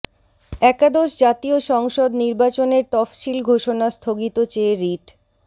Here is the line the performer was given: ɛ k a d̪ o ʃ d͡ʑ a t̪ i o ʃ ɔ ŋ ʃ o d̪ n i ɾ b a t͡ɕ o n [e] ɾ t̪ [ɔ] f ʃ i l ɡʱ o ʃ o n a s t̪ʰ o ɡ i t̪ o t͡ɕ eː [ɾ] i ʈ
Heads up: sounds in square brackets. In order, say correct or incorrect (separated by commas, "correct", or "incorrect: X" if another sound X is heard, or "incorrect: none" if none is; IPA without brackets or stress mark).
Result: correct, correct, correct